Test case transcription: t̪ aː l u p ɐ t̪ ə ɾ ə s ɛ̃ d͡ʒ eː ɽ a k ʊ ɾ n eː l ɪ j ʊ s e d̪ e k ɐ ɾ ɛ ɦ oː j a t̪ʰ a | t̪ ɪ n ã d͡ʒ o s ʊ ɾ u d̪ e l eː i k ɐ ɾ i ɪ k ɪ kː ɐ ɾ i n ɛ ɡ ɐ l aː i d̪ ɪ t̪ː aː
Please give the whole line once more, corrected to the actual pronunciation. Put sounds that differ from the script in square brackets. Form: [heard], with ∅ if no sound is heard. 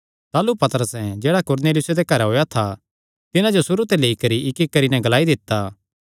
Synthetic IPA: t̪ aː l u p ɐ t̪ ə ɾ ə s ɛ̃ d͡ʒ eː ɽ a k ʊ ɾ n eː l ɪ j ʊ s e d̪ e k ɐ ɾ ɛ ɦ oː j a t̪ʰ a | t̪ ɪ n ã d͡ʒ o s ʊ ɾ u [t̪] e l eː i k ɐ ɾ i ɪ k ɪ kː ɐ ɾ i n ɛ ɡ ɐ l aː i d̪ ɪ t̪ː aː

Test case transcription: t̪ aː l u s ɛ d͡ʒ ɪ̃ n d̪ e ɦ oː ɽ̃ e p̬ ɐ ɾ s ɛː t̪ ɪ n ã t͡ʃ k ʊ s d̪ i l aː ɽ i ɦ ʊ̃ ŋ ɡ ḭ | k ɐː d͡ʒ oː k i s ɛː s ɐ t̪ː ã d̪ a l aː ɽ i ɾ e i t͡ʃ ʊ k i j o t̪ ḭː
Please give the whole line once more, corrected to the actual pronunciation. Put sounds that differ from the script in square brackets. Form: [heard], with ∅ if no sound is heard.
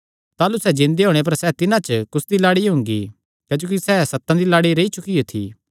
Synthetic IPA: t̪ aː l u s ɛ d͡ʒ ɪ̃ n d̪ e ɦ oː ɽ̃ e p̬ ɐ ɾ s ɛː t̪ ɪ n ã t͡ʃ k ʊ s d̪ i l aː ɽ i ɦ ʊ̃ ŋ ɡ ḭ | k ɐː d͡ʒ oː k i s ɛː s ɐ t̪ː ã d̪ [i] l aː ɽ i ɾ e i t͡ʃ ʊ k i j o [t̪ʰ] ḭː

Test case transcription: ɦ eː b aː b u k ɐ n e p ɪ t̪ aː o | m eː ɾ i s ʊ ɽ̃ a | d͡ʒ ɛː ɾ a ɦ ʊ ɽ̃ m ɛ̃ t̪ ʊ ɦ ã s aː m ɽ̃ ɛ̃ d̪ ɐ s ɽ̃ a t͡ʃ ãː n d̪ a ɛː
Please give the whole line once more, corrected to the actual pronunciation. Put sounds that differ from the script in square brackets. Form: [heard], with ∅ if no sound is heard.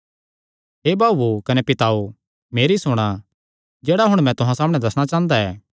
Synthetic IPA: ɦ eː b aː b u k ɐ n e p ɪ t̪ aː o | m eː ɾ i s ʊ ɽ̃ a | d͡ʒ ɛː [ɽ] a ɦ ʊ ɽ̃ m ɛ̃ t̪ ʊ ɦ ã s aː m ɽ̃ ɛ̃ d̪ ɐ s ɽ̃ a t͡ʃ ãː n d̪ a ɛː

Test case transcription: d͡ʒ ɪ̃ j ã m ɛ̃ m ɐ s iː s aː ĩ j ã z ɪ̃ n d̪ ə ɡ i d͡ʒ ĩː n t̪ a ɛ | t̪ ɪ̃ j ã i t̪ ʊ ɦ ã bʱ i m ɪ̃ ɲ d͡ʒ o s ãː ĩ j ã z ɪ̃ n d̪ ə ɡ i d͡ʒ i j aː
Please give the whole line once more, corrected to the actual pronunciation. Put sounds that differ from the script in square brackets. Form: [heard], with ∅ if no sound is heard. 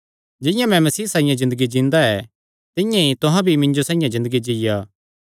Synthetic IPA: d͡ʒ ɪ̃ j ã m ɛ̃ m ɐ s iː s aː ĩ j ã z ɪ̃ n d̪ ə ɡ i d͡ʒ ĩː n [d̪] a ɛ | t̪ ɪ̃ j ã i t̪ ʊ ɦ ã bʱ i m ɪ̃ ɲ d͡ʒ o s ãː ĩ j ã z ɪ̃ n d̪ ə ɡ i d͡ʒ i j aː

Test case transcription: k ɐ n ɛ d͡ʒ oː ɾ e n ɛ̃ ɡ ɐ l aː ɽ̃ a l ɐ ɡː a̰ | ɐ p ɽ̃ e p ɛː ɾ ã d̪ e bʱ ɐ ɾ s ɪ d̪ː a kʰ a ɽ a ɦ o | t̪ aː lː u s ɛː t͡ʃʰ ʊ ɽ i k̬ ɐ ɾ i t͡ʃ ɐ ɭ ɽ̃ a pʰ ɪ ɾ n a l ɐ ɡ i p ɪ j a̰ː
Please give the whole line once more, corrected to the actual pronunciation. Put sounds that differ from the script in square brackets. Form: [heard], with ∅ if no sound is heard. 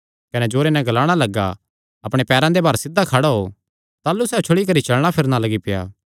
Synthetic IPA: k ɐ n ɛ d͡ʒ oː ɾ e n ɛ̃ ɡ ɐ l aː ɽ̃ a l ɐ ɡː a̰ | ɐ p ɽ̃ e p ɛː ɾ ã d̪ e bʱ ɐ ɾ s ɪ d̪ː a kʰ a ɽ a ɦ o | t̪ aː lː u s ɛː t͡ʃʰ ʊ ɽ i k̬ ɐ ɾ i t͡ʃ ɐ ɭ ɽ̃ a pʰ ɪ ɾ n a l ɐ ɡ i p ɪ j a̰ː

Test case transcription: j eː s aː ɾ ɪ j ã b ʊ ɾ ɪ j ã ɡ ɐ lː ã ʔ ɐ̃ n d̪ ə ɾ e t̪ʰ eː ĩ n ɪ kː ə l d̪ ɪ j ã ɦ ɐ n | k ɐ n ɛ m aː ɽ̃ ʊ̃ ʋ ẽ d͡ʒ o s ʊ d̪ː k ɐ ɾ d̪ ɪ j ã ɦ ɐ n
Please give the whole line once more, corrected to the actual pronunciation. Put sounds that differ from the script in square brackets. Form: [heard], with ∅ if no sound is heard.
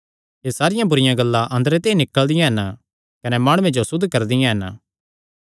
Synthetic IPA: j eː s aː ɾ ɪ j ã b ʊ ɾ ɪ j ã ɡ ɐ lː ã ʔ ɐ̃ n d̪ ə ɾ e [t̪] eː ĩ n ɪ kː ə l d̪ ɪ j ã ɦ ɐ n | k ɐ n ɛ m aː ɽ̃ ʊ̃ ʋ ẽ d͡ʒ o s ʊ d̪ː k ɐ ɾ d̪ ɪ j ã ɦ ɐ n

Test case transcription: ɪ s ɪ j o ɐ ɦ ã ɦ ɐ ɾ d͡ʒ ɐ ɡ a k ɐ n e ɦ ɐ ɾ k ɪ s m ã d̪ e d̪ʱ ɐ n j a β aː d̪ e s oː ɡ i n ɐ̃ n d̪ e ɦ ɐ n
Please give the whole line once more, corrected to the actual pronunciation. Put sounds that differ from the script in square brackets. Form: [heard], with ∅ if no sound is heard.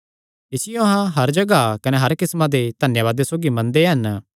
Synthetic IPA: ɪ s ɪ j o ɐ ɦ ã ɦ ɐ ɾ d͡ʒ ɐ ɡ a k ɐ n e ɦ ɐ ɾ k ɪ s m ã d̪ e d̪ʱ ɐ n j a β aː d̪ e s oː ɡ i [m] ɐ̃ n d̪ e ɦ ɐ n

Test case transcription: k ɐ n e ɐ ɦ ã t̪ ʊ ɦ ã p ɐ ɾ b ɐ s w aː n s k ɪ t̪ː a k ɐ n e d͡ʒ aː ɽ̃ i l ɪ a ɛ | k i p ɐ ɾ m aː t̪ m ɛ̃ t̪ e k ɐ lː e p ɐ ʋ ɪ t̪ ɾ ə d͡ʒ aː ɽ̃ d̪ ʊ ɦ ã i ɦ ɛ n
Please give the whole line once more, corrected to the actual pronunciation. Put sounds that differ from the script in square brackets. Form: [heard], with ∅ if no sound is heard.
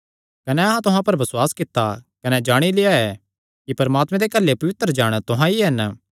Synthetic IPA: k ɐ n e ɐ ɦ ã t̪ ʊ ɦ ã p ɐ ɾ b ɐ s w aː [∅] s k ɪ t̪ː a k ɐ n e d͡ʒ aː ɽ̃ i l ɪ a ɛ | k i p ɐ ɾ m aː t̪ m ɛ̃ [d̪] e k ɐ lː e p ɐ ʋ ɪ t̪ ɾ ə d͡ʒ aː ɽ̃ [t̪] ʊ ɦ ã i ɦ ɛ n

